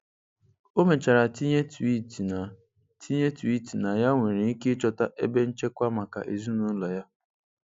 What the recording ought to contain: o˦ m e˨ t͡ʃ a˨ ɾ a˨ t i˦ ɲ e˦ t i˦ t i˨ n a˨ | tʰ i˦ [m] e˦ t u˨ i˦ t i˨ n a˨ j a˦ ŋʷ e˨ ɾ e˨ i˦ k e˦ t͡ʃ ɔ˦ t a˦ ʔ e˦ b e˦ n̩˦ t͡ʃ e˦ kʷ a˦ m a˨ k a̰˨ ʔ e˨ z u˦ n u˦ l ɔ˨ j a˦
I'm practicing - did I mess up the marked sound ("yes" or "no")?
yes